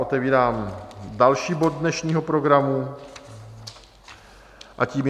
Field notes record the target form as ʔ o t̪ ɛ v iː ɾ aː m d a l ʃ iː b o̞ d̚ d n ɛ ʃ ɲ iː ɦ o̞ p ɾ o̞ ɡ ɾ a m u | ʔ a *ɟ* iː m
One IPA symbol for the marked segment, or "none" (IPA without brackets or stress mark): c